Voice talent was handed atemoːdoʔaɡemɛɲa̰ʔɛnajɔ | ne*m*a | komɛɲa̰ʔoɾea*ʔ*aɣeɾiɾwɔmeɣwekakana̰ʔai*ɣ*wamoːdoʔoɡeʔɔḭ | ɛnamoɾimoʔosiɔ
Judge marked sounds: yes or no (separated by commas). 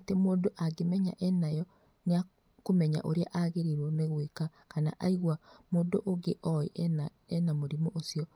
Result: no, yes, yes